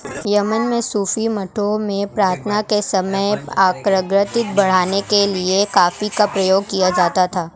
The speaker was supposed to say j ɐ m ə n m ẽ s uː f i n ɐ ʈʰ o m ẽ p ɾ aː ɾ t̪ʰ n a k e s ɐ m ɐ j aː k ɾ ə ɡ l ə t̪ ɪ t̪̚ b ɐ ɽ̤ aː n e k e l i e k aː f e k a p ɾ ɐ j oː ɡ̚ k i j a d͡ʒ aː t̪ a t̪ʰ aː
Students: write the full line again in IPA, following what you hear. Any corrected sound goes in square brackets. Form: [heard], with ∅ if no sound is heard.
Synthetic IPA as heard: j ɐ m ə n m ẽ s uː f i [m] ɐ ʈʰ o m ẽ p ɾ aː ɾ t̪ʰ n a k e s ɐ m [ə] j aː k ɾ ə ɡ [ɾ] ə t̪ ɪ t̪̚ b ɐ ɽ̤ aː n e k e l i e k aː f [i] k a p ɾ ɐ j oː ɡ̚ k i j a d͡ʒ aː t̪ a t̪ʰ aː